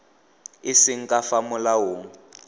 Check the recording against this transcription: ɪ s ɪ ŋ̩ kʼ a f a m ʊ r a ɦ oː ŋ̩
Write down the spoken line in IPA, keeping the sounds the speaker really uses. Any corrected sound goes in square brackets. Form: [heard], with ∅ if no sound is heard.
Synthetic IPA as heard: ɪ s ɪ ŋ̩ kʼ a f a m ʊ [l] a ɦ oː ŋ̩